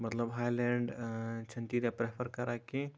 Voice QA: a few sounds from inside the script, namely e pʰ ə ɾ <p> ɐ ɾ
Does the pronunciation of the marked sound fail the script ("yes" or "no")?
yes